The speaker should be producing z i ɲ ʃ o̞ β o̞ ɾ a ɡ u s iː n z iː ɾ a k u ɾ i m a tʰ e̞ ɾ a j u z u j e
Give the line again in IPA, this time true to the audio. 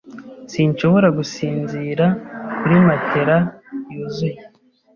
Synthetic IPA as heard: s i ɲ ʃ o̞ β o̞ ɾ a ɡ u s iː n z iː ɾ a k u ɾ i m a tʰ e̞ ɾ a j u z u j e